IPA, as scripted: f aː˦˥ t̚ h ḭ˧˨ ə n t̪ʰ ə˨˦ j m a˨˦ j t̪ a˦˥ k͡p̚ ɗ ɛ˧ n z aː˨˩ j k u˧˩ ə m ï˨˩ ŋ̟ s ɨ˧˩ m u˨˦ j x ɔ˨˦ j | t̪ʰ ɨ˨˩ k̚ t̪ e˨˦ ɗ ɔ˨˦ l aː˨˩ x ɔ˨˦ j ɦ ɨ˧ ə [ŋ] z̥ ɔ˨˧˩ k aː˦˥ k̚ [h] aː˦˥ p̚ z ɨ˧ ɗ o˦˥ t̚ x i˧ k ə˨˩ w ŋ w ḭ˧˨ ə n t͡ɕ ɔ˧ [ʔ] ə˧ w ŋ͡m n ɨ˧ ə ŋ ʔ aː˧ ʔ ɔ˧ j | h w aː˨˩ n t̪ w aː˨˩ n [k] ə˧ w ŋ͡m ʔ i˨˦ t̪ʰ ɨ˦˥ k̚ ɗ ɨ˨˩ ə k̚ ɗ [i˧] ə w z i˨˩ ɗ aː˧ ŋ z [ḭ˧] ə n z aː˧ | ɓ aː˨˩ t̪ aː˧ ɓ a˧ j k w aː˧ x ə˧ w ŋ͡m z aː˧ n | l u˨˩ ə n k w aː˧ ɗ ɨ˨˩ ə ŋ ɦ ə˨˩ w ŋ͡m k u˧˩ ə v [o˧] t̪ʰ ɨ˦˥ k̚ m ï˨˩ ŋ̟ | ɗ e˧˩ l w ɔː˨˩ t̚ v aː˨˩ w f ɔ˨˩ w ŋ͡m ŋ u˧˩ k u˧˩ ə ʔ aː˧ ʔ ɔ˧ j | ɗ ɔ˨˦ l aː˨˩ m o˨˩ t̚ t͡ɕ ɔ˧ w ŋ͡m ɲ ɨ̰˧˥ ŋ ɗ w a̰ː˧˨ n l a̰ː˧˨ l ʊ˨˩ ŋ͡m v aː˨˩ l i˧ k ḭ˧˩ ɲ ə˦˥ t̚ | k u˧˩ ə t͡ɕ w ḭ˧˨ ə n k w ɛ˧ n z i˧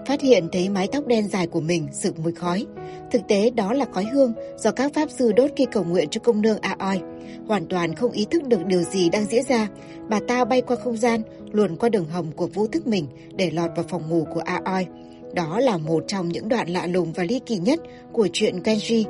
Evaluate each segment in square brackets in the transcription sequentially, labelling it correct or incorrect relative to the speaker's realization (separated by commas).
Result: correct, incorrect, incorrect, incorrect, incorrect, incorrect, incorrect